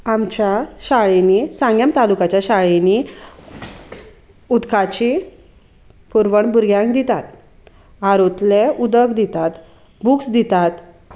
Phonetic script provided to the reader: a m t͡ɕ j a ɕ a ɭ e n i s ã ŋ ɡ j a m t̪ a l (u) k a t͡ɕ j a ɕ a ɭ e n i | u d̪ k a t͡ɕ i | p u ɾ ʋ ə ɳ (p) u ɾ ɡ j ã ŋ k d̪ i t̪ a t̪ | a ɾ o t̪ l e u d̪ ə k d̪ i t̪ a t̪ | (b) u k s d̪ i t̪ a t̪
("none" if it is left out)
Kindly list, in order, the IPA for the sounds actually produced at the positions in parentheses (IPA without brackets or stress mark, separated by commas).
u, b, b